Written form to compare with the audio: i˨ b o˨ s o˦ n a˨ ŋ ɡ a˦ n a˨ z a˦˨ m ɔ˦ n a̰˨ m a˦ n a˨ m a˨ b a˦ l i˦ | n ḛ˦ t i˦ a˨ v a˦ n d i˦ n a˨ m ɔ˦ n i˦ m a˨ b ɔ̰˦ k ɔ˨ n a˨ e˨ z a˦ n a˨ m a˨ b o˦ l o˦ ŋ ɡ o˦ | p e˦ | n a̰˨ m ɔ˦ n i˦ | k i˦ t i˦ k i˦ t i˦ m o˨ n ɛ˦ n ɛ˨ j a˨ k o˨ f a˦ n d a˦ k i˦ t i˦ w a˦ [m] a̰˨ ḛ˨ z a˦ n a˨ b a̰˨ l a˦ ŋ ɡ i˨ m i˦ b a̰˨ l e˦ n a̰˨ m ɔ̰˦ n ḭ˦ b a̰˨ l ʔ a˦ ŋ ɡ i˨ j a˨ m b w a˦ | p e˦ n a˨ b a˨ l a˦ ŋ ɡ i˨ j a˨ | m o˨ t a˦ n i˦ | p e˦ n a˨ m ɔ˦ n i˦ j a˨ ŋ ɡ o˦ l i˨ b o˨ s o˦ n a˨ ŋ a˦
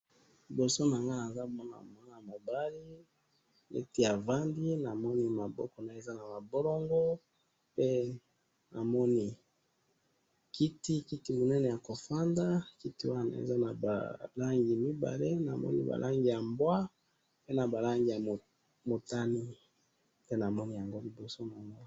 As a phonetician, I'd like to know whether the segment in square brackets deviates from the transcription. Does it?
yes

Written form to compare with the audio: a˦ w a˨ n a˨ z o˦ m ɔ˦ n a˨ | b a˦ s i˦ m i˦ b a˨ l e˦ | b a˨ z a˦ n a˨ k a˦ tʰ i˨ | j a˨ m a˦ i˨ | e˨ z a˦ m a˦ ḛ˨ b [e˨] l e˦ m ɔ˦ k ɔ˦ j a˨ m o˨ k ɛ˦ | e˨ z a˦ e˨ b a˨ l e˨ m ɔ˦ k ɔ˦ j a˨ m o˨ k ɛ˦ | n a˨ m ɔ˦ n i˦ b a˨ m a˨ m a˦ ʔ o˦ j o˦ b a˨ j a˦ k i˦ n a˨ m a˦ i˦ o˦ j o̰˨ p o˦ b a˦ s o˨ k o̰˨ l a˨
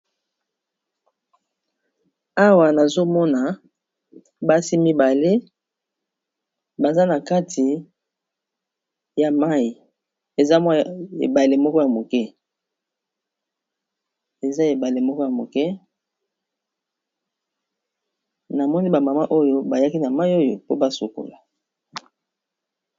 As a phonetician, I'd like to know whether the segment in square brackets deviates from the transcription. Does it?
yes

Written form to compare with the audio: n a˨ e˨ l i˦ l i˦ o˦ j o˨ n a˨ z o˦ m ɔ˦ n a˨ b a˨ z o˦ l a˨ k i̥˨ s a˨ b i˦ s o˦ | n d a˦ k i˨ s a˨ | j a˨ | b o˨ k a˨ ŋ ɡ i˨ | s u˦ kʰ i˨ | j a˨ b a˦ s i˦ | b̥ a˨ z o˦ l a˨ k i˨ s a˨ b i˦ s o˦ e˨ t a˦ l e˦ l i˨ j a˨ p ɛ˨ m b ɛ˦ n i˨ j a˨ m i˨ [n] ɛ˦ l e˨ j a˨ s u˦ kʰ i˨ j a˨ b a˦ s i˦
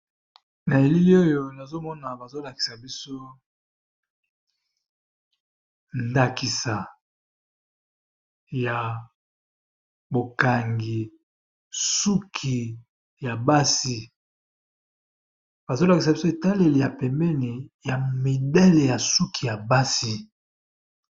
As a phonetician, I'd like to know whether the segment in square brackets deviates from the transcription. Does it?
yes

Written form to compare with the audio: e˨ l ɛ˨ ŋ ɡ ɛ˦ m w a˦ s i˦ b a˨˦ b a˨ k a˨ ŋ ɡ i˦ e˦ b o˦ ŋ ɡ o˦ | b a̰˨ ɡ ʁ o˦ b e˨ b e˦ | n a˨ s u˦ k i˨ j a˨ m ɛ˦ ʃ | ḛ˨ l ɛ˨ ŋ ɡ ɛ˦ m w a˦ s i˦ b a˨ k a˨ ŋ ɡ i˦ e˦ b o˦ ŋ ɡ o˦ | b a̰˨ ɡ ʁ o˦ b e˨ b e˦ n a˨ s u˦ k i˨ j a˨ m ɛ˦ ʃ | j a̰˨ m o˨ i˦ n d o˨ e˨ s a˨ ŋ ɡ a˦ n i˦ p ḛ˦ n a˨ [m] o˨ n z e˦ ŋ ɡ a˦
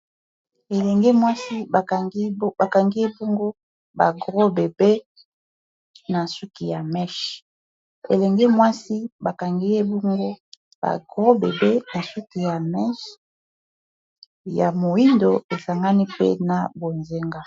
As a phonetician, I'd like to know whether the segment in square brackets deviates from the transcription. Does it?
yes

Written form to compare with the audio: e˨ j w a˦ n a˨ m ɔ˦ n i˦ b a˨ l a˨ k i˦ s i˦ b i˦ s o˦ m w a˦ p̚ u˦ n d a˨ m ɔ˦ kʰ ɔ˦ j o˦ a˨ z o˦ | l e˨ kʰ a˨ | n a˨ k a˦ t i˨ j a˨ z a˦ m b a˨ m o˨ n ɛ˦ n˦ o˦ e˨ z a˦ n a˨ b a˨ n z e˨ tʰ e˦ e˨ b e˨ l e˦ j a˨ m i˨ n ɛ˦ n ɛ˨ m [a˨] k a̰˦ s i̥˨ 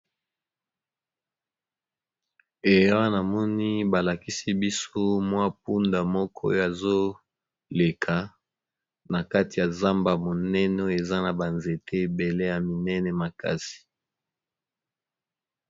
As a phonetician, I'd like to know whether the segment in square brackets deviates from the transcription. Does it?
no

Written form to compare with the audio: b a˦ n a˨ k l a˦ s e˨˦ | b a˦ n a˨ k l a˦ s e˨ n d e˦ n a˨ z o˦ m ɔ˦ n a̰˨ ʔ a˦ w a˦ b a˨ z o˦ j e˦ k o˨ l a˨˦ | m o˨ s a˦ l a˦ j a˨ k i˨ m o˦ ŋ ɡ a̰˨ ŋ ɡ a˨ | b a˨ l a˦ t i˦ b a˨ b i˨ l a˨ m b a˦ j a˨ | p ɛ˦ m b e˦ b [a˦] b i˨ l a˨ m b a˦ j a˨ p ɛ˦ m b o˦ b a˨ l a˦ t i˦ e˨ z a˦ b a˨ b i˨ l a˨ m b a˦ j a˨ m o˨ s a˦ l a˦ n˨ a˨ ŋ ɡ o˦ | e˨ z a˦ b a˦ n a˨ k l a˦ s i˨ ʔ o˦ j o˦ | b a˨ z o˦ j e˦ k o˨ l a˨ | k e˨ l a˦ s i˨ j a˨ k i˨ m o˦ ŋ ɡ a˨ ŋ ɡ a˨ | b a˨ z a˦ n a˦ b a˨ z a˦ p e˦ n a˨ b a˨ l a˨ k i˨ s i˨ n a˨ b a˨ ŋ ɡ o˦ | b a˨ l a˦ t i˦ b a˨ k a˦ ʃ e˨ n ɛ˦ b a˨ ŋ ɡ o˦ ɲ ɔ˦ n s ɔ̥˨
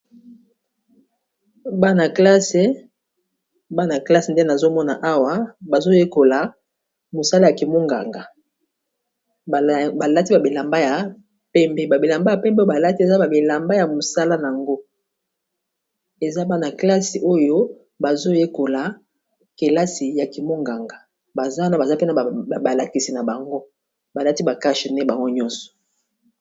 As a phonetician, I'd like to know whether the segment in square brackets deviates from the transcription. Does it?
yes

